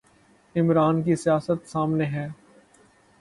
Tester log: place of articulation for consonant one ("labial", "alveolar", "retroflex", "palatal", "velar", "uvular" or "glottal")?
labial